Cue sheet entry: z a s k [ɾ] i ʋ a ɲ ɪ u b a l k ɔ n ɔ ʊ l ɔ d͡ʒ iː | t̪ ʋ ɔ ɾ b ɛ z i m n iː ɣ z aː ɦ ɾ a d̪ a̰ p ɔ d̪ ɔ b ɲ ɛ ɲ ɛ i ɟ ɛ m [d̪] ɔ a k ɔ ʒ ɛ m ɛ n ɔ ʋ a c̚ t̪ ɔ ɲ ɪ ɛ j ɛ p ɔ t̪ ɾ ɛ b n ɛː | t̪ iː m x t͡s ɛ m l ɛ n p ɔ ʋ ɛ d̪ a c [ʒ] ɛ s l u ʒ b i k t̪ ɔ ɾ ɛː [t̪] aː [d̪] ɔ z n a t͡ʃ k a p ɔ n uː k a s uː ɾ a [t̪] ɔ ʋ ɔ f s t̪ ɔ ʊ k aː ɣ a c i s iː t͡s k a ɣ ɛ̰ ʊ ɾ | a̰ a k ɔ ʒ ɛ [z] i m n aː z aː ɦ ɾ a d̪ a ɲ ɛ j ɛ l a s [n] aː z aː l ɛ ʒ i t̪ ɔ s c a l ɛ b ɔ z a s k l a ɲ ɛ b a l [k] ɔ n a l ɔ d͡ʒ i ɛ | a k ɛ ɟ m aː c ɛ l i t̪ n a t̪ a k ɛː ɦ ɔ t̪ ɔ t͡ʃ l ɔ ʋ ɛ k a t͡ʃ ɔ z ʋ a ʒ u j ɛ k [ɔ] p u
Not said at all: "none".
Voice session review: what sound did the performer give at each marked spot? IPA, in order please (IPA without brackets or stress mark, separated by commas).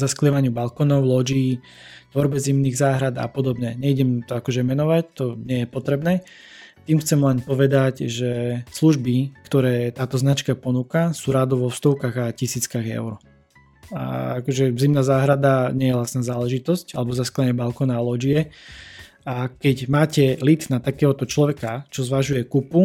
l, t̪, ʒ, t̪, t̪, d̪, z, n, k, u